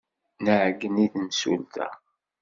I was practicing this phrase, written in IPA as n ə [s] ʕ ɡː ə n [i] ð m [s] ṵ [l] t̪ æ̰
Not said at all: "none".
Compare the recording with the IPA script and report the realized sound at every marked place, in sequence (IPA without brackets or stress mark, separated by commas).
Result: none, i, s, l